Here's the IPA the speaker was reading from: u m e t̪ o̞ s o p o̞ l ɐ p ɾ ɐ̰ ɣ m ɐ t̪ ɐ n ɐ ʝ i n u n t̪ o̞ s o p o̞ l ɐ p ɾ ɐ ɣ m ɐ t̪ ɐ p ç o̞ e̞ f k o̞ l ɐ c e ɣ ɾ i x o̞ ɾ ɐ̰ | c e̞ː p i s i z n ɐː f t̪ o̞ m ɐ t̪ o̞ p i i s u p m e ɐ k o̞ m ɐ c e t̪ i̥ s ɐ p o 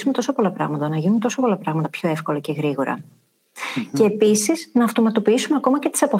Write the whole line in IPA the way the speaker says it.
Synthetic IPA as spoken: u m e t̪ o̞ s o p o̞ l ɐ p ɾ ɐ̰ ɣ m ɐ t̪ ɐ n ɐ ʝ i n u n t̪ o̞ s o p o̞ l ɐ p ɾ ɐ ɣ m ɐ t̪ ɐ p ç o̞ e̞ f k o̞ l ɐ c e ɣ ɾ i ɣ o̞ ɾ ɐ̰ | c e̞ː p i s i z n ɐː f t̪ o̞ m ɐ t̪ o̞ p i i s u m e ɐ k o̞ m ɐ c e t̪ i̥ s ɐ p o